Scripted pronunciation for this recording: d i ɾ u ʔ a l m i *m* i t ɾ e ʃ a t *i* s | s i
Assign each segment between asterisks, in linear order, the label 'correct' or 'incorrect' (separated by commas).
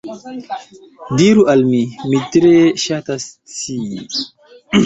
correct, incorrect